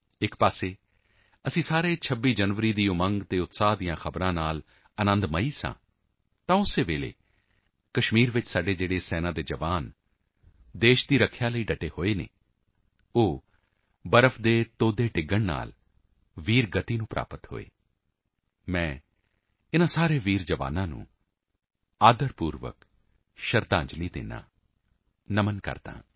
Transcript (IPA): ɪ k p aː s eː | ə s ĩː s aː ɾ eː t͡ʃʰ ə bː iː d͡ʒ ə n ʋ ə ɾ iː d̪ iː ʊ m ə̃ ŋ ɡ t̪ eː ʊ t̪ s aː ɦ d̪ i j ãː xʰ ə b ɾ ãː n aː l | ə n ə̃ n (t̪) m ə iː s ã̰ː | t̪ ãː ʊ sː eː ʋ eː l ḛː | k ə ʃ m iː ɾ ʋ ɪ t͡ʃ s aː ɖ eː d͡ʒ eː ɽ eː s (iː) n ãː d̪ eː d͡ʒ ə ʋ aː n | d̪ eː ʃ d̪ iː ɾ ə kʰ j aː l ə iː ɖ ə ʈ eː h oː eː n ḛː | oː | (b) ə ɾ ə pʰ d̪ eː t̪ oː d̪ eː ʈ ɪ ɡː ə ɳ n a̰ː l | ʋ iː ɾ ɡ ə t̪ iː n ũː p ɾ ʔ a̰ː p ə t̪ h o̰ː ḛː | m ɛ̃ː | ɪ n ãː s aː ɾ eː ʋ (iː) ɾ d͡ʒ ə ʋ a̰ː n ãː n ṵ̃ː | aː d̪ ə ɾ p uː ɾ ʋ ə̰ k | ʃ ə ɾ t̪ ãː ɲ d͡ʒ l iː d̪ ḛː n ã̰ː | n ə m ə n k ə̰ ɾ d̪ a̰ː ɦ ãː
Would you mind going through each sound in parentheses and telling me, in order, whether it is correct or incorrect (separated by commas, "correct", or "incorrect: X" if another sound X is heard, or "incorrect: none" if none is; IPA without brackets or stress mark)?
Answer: incorrect: d̪, incorrect: ɛː, correct, correct